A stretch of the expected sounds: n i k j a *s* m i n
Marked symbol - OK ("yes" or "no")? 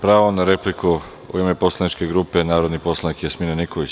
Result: yes